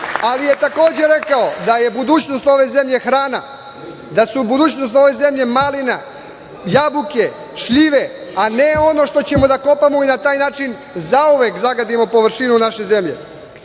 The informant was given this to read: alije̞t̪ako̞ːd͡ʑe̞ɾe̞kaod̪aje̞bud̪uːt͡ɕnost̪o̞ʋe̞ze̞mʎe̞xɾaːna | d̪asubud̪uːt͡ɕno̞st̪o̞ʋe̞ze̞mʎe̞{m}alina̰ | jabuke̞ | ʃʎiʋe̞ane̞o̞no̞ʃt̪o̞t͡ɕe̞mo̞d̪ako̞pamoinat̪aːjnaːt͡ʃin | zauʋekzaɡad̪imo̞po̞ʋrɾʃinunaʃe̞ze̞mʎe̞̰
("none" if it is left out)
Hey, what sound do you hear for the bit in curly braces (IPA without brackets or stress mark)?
m